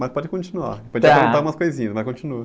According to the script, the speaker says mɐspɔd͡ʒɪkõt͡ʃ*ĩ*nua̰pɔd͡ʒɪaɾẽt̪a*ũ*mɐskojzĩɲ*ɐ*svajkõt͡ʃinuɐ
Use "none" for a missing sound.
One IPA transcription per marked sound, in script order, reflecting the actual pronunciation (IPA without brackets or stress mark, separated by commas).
i, u, ɐ